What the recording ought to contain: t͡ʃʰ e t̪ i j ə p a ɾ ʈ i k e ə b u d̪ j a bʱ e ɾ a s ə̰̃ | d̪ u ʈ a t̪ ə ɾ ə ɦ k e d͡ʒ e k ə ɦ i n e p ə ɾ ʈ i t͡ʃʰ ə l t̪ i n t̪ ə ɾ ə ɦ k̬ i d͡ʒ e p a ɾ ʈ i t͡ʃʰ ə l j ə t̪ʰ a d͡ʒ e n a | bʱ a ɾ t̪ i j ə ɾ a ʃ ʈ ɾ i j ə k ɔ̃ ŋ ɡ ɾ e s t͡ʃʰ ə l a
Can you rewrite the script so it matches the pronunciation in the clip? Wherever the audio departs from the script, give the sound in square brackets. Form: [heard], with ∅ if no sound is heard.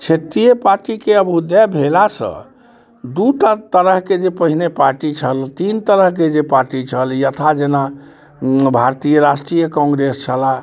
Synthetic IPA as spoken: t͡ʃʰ e t̪ i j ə p a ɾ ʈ i k e ə b u d̪ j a bʱ e [l] a s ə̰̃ | d̪ u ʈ a t̪ ə ɾ ə ɦ k e d͡ʒ e [p] ə ɦ i n e p [a] ɾ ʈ i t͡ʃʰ ə l t̪ i n t̪ ə ɾ ə ɦ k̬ [e] d͡ʒ e p a ɾ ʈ i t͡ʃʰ ə l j ə t̪ʰ a d͡ʒ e n a | bʱ a ɾ t̪ i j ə ɾ a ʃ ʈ ɾ i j ə k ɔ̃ ŋ ɡ ɾ e s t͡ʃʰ ə l a